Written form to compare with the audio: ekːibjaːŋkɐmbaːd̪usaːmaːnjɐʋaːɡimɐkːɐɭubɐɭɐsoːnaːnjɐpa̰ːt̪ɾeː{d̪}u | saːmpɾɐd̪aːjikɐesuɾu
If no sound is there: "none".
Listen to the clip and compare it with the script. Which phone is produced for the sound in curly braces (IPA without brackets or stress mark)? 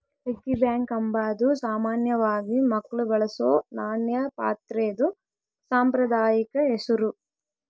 d̪